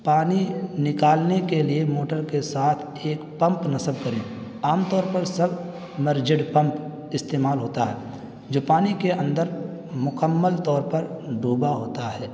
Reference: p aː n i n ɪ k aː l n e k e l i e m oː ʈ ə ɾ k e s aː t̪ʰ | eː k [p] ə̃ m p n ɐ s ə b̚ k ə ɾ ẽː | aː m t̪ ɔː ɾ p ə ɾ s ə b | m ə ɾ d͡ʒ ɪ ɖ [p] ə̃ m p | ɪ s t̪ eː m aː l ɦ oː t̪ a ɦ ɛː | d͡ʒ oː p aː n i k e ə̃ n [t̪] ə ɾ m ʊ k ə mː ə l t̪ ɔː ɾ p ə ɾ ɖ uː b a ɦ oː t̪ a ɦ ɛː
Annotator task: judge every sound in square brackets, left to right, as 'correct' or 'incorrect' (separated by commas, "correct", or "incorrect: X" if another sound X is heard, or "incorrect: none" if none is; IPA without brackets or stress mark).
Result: correct, correct, incorrect: d̪